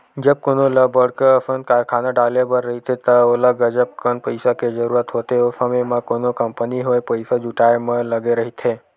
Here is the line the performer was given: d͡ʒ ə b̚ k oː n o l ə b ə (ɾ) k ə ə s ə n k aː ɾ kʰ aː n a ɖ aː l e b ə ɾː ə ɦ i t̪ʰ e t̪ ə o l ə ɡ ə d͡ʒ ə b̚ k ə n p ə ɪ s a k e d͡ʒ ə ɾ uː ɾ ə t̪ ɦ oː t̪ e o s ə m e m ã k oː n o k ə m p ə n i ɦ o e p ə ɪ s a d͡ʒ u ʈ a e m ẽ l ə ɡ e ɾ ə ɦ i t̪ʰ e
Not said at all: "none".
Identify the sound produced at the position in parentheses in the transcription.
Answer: ɽ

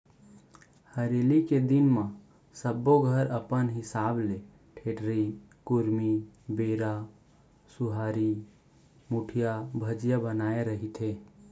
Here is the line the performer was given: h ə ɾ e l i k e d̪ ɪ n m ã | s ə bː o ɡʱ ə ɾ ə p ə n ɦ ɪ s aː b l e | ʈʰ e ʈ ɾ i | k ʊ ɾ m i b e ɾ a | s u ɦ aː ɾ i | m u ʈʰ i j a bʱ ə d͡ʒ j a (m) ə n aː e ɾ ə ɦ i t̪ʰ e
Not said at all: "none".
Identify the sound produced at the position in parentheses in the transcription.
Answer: b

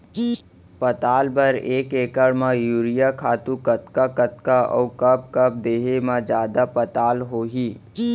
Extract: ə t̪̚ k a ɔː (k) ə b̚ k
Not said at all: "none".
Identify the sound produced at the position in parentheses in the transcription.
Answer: k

